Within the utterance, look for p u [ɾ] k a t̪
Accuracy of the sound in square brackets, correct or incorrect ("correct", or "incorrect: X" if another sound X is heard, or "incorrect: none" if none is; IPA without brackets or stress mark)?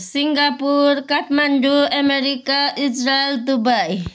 correct